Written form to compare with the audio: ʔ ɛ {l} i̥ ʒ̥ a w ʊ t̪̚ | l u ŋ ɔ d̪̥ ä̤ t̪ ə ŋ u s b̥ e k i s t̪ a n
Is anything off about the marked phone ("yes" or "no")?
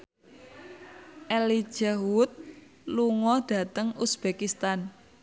no